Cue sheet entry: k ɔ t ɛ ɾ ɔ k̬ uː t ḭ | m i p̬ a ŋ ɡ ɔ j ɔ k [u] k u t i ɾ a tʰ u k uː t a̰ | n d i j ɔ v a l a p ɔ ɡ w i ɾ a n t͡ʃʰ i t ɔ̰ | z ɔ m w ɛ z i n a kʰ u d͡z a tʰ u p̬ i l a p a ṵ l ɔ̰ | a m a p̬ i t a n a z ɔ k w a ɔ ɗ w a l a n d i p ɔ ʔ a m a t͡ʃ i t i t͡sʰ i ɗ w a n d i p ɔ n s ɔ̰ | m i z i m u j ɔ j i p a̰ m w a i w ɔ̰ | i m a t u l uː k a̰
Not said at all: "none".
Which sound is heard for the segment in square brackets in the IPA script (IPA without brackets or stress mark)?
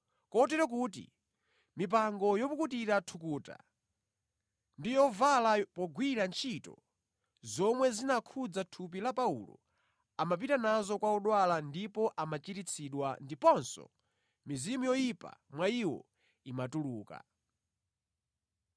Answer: u